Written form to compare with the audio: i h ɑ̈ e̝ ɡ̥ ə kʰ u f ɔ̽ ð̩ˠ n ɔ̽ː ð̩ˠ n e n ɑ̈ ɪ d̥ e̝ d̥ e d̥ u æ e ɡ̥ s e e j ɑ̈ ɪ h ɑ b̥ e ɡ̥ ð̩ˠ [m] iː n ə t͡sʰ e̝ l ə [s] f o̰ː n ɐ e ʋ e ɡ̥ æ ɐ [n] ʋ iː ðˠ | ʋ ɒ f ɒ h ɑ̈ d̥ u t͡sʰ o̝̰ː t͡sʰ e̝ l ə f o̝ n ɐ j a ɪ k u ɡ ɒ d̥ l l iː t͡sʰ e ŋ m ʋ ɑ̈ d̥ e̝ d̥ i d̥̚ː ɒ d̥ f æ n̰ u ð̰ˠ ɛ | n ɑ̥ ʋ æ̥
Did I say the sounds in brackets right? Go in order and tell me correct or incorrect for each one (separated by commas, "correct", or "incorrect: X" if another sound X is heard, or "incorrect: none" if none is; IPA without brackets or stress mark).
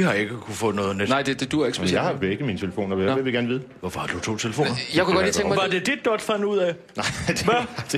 correct, incorrect: none, correct